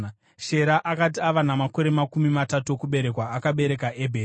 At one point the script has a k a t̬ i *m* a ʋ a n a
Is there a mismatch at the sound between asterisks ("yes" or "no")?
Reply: yes